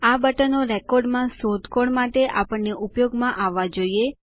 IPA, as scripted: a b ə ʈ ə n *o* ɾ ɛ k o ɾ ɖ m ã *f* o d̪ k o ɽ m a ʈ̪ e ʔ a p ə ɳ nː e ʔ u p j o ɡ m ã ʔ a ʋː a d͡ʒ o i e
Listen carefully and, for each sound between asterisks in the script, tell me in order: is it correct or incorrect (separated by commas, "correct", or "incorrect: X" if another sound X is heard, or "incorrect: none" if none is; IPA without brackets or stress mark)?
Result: correct, incorrect: s